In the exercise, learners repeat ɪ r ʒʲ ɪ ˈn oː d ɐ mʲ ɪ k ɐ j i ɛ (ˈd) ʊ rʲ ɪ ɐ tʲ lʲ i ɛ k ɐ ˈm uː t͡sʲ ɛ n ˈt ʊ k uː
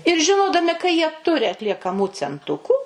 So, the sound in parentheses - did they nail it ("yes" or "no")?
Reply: no